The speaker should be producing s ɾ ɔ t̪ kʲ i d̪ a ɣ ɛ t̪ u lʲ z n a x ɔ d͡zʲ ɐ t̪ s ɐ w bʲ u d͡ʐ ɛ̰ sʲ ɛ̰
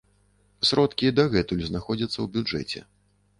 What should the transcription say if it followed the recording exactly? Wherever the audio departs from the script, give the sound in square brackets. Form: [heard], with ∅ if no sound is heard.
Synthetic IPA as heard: s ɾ ɔ t̪ kʲ i d̪ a ɣ ɛ t̪ u lʲ z n a x ɔ d͡zʲ ɐ t̪ [sː] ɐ w bʲ u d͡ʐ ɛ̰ [t͡sʲ] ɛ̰